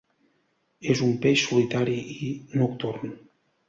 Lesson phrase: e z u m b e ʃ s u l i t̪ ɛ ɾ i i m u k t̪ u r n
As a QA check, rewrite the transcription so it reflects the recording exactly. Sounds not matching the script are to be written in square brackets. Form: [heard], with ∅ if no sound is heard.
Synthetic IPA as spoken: e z u m [p] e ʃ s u l i t̪ [a] ɾ i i [n] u k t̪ u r n